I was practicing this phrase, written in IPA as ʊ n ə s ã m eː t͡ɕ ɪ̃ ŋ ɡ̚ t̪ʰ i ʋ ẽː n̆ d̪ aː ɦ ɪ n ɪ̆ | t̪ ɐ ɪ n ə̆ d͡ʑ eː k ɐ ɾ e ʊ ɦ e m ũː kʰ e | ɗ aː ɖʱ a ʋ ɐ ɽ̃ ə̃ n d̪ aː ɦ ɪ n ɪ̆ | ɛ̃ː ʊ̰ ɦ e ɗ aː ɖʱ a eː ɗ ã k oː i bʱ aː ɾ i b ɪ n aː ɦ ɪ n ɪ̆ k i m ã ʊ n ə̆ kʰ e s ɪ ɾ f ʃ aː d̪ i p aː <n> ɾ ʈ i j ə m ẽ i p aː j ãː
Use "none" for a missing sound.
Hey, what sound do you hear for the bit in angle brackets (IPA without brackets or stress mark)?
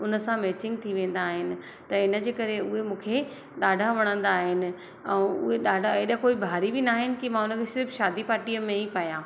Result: none